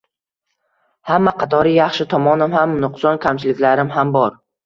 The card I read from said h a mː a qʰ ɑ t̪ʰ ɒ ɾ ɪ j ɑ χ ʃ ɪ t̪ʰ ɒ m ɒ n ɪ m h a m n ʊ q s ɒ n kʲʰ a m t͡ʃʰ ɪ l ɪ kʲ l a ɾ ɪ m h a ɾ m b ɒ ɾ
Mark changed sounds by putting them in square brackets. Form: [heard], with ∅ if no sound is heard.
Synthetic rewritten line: h a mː a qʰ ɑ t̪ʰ ɒ ɾ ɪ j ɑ χ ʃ ɪ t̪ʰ ɒ m ɒ n ɪ m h a m n ʊ q s ɒ n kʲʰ a m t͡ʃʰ ɪ l ɪ kʲ l a ɾ ɪ m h a [∅] m b ɒ ɾ